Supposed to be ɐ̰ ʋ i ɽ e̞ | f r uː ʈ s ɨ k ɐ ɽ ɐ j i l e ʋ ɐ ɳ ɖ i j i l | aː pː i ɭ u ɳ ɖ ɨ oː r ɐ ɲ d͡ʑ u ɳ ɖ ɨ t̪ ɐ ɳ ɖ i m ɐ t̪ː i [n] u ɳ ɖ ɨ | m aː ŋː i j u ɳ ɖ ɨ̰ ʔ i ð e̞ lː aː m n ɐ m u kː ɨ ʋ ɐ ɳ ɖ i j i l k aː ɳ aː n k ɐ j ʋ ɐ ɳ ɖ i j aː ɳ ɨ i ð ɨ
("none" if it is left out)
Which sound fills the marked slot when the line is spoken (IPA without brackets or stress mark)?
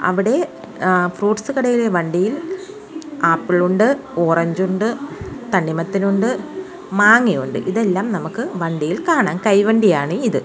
n